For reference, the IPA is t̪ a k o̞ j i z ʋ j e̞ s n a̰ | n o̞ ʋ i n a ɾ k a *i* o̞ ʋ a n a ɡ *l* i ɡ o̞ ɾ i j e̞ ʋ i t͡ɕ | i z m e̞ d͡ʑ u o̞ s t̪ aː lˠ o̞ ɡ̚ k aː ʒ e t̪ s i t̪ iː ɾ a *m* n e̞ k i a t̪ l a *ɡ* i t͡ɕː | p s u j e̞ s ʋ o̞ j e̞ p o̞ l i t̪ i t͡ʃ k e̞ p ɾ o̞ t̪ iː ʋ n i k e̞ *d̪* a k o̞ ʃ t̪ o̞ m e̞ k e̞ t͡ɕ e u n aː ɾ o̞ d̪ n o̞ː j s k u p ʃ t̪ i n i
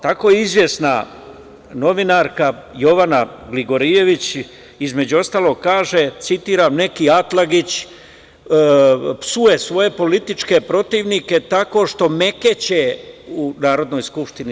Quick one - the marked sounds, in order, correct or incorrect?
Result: incorrect: j, correct, correct, correct, incorrect: t̪

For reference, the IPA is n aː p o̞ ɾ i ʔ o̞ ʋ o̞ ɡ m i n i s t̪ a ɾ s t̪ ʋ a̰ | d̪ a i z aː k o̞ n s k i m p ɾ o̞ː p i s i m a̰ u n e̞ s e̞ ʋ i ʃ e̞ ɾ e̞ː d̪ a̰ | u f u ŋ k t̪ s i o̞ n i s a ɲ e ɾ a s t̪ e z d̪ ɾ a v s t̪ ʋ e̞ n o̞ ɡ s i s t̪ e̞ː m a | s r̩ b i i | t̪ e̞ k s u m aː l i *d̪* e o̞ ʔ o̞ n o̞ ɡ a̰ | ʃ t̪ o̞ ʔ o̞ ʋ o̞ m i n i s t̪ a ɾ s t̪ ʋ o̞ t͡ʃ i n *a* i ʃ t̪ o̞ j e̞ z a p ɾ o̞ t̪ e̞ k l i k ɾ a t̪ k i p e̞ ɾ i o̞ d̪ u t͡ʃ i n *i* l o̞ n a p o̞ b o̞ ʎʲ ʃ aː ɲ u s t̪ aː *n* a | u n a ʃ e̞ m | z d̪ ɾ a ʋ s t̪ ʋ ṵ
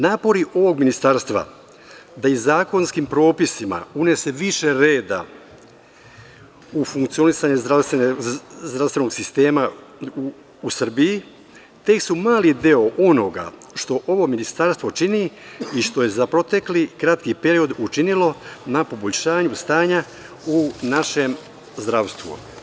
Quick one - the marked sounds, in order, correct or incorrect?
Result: correct, incorrect: i, correct, incorrect: ɲ

